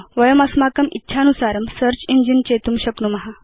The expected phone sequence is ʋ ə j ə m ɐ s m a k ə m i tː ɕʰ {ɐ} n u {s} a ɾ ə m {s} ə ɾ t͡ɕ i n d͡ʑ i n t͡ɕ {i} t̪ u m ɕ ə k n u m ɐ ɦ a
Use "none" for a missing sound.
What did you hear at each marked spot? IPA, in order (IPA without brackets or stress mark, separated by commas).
a, s, s, e